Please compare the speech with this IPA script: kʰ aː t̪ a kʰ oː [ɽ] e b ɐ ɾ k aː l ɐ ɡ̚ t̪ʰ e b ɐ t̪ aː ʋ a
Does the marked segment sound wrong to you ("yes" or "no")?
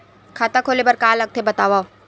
yes